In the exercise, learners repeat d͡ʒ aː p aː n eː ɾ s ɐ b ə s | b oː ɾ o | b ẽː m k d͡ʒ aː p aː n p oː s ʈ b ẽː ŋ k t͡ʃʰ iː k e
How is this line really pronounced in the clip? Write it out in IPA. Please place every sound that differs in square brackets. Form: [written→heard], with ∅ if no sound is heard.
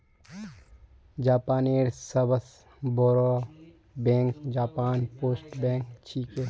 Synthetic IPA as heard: d͡ʒ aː p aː n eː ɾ s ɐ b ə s | b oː ɾ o | b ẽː [m→ŋ] k d͡ʒ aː p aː n p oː s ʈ b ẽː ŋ k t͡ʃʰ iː k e